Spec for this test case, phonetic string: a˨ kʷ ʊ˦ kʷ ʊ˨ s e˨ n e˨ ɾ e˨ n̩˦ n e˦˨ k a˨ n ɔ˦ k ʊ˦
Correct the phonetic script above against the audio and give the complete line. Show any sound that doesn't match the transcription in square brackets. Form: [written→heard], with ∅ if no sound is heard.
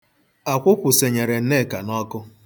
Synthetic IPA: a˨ kʷ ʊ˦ kʷ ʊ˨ s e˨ [n→ɲ] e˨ ɾ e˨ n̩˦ n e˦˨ k a˨ n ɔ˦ k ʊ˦

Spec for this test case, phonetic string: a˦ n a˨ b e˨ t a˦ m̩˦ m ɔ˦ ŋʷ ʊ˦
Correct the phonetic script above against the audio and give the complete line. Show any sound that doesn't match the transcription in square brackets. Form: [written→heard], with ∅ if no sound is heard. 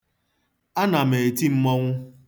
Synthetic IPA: a˦ n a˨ [b→m] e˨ t [a˦→i˦] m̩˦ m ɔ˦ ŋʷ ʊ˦

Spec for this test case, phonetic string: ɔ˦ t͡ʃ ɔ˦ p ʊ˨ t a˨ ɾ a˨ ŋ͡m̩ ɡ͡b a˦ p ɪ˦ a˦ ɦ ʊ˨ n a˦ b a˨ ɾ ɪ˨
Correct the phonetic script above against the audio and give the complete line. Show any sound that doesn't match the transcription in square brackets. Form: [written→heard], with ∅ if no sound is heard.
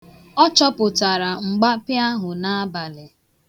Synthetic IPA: ɔ˦ t͡ʃ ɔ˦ p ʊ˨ t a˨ ɾ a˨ ŋ͡m̩ ɡ͡b a˦ p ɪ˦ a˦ ɦ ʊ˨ n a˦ b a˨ [ɾ→l] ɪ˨

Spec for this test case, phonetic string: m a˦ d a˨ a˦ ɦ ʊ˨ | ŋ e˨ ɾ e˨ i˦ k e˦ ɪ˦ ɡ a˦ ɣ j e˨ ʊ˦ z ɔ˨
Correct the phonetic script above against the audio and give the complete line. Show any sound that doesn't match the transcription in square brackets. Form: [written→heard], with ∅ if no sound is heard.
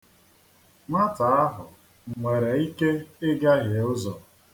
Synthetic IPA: m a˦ [d→t] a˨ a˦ ɦ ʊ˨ | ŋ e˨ ɾ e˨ i˦ k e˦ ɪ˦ ɡ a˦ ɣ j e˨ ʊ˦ z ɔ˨

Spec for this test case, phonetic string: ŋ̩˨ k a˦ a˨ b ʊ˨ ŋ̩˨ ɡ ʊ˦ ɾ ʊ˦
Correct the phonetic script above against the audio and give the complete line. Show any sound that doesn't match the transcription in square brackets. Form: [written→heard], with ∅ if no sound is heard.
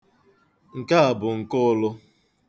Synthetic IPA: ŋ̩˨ k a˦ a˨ b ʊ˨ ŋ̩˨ [ɡ→k] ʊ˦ [ɾ→l] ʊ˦

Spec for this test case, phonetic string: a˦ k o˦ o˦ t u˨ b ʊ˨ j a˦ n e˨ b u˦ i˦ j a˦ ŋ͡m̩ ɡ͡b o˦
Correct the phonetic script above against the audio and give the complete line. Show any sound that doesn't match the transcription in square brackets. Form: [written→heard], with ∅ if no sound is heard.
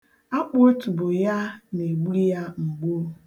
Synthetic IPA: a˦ [k→k͡p] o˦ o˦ t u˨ b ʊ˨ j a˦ n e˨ [b→ɡ͡b] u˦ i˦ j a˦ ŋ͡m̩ ɡ͡b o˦

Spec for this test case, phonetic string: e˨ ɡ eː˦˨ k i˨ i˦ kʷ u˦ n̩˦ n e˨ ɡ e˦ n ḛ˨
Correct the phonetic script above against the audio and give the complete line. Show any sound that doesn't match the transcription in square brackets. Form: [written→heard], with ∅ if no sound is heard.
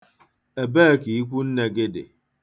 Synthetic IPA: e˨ [ɡ→b] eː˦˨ k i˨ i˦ kʷ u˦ n̩˦ n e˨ ɡ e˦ [n→d] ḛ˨

